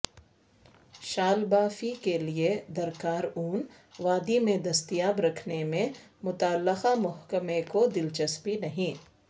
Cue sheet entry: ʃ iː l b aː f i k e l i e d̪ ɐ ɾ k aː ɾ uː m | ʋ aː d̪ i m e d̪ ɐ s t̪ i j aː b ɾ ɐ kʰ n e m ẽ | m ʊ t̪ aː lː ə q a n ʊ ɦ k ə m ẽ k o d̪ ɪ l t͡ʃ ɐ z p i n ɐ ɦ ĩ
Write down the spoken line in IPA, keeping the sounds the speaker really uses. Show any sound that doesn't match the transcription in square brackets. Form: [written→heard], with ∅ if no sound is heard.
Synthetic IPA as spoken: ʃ [iː→aː] l b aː f i k e l i e d̪ ɐ ɾ k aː ɾ uː [m→n] | ʋ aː d̪ i m [e→ẽ] d̪ ɐ s t̪ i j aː b ɾ ɐ kʰ n e m ẽ | m ʊ t̪ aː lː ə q a [n→m] ʊ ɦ k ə m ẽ k o d̪ ɪ l t͡ʃ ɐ [z→s] p i n ɐ ɦ ĩ